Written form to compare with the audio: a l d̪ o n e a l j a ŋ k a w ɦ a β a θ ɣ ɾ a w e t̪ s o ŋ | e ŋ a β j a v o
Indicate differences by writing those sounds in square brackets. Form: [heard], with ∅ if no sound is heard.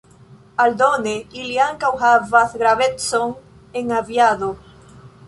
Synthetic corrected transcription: a l d̪ o n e [i] l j a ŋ k a w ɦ a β a θ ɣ ɾ a [β] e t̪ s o ŋ | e ŋ a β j a [ð] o